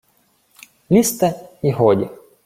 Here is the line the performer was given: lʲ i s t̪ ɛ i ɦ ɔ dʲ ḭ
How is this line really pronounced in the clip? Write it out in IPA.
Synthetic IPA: lʲ i s t̪ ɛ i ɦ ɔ dʲ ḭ

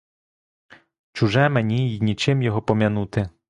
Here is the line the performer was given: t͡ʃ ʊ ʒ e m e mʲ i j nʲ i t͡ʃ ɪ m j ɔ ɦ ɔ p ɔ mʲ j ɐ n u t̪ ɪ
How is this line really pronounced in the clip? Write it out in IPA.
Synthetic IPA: t͡ʃ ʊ ʒ ɛ m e nʲ i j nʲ i t͡ʃ ɪ m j ɔ ɦ ɔ p ɔ mʲ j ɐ n u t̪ ɪ

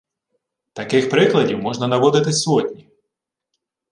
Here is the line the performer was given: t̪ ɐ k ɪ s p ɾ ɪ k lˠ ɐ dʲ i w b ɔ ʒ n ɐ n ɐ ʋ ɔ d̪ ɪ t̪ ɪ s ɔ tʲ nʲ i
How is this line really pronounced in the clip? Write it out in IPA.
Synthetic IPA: t̪ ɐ k ɪ x p ɾ ɪ k lˠ ɐ dʲ i w m ɔ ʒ n ɐ n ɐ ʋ ɔ d̪ ɪ t̪ ɪ s ɔ tʲ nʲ i

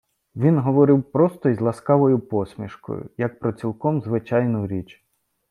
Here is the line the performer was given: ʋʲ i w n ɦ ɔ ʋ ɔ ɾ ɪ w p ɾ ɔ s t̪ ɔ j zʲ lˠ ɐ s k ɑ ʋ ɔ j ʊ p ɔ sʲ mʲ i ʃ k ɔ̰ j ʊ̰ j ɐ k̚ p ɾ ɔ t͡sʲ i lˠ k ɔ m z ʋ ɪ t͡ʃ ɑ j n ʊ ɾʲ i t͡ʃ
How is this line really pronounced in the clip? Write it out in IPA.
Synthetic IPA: ʋʲ i n ɦ ɔ ʋ ɔ ɾ ɪ w p ɾ ɔ s t̪ ɔ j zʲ lˠ ɐ s k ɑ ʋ ɔ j ʊ p ɔ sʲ mʲ i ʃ k ɔ̰ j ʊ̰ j ɐ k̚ p ɾ ɔ t͡sʲ i lˠ k ɔ m z ʋ ɪ t͡ʃ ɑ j n ʊ ɾʲ i t͡ʃ

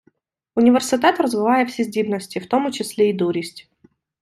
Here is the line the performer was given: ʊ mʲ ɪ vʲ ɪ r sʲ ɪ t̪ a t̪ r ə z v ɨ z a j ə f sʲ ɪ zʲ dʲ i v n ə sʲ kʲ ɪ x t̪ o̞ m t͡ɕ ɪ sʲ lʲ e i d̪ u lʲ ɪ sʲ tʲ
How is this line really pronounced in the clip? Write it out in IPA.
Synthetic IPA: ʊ nʲ ɪ vʲ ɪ r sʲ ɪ t̪ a t̪ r ə z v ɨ v a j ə f sʲ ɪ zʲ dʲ i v n ə sʲ tʲ ɪ f t̪ o̞ m t͡ɕ ɪ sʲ lʲ e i d̪ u ɾʲ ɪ sʲ tʲ

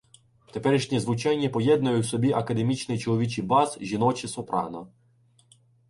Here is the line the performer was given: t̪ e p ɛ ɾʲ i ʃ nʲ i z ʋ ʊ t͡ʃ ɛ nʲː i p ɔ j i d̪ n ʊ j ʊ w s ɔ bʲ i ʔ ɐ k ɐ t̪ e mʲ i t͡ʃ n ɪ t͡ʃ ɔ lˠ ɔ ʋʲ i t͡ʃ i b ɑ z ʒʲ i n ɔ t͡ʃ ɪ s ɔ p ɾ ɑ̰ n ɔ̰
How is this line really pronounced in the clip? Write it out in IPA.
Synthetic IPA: t̪ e p ɛ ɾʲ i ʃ nʲ i z ʋ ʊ t͡ʃ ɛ nʲː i p ɔ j ɛ d̪ n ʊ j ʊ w s ɔ bʲ i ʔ ɐ k ɐ d̪ e mʲ i t͡ʃ n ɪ t͡ʃ ɔ lˠ ɔ ʋʲ i t͡ʃ i b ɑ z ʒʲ i n ɔ t͡ʃ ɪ s ɔ p ɾ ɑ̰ n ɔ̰

